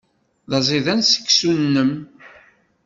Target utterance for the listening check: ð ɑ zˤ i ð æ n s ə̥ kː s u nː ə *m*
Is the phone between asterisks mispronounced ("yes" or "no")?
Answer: no